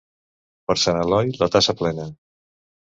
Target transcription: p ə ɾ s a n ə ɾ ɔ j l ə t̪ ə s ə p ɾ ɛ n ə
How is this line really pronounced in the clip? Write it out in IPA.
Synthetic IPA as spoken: p ə ɾ s a n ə l ɔ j l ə t̪ a s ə p l ɛ n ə